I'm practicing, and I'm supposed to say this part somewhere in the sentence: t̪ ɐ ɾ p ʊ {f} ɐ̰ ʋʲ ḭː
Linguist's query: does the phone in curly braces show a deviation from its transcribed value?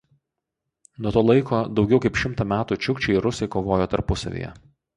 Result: yes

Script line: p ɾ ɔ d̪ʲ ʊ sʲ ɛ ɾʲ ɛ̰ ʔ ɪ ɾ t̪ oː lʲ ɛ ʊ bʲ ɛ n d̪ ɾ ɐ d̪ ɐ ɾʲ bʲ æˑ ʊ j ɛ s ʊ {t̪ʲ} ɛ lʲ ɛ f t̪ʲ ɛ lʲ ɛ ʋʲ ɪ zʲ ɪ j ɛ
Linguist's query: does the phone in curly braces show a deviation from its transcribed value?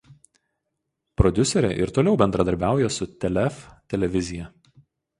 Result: no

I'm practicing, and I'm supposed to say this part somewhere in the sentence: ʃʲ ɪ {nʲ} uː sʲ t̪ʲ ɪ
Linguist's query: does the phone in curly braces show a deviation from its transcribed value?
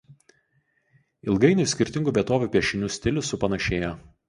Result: no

